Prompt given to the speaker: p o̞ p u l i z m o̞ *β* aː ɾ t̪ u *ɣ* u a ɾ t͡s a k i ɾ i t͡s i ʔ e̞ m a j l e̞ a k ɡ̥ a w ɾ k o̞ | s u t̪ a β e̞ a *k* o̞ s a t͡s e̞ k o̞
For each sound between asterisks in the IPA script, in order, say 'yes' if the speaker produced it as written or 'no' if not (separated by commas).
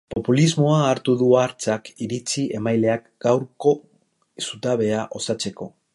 no, no, no